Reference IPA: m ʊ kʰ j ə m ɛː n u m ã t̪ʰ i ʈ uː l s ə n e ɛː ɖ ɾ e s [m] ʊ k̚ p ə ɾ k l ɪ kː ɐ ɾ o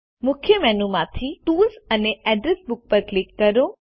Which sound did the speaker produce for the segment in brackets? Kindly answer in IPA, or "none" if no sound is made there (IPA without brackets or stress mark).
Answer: b